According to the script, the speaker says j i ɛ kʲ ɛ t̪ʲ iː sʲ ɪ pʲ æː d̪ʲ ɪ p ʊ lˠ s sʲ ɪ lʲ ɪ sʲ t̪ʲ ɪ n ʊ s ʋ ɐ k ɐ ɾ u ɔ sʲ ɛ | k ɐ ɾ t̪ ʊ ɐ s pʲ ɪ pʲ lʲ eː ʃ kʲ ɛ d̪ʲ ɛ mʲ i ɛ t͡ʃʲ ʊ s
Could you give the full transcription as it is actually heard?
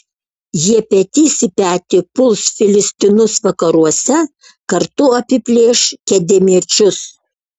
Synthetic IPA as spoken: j i ɛ pʲ ɛ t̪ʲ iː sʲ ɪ pʲ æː t̪ʲ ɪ p ʊ lˠ s fʲ ɪ lʲ ɪ sʲ t̪ʲ ɪ n ʊ s ʋ ɐ k ɐ ɾ u ɔ sʲ ɛ | k ɐ ɾ t̪ ʊ ɐ pʲ ɪ pʲ lʲ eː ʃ kʲ ɛ d̪ʲ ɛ mʲ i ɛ t͡ʃʲ ʊ s